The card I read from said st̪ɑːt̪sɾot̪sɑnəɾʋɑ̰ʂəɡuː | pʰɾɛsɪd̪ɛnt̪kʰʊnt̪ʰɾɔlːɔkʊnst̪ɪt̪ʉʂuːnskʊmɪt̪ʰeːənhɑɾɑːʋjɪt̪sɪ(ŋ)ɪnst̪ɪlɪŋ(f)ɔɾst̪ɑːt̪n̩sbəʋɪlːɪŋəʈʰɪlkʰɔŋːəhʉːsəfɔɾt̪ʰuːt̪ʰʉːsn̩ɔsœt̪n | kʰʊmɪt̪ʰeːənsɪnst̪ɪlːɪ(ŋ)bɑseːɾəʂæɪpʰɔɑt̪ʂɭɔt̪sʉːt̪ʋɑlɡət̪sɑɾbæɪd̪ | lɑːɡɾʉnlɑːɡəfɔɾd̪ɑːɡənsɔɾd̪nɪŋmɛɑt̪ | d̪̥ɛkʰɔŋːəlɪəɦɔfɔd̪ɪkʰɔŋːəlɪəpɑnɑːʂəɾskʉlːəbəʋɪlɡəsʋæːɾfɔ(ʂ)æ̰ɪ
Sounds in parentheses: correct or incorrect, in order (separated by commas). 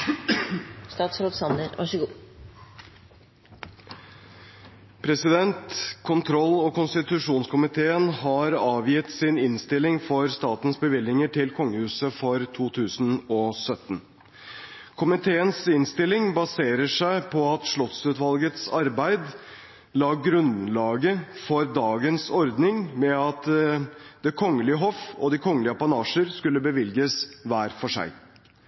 incorrect, correct, correct, correct